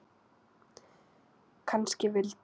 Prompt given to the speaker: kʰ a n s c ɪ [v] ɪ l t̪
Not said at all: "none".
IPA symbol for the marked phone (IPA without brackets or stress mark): v